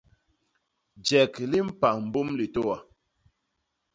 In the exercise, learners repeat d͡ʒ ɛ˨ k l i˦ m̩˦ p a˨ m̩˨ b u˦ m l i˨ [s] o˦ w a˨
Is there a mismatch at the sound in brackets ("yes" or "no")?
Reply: yes